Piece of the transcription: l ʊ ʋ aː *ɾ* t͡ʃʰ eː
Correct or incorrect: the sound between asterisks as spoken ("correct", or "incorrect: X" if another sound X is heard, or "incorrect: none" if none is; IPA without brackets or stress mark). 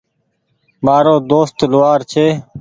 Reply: correct